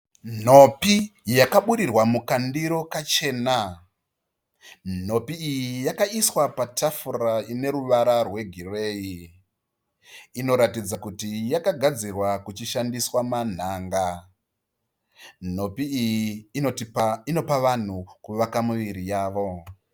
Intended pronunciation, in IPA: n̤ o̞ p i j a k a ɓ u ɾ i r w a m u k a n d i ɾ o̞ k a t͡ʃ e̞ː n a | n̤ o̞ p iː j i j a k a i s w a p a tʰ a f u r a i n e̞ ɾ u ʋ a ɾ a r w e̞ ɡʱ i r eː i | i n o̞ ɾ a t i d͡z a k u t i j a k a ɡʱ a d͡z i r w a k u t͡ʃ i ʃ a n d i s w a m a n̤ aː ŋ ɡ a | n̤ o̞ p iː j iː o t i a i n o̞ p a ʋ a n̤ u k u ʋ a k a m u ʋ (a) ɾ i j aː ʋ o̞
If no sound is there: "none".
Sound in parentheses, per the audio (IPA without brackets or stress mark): i